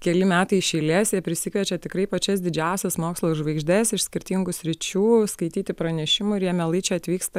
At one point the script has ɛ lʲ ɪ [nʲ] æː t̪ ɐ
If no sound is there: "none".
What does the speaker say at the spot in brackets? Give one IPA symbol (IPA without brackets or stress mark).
mʲ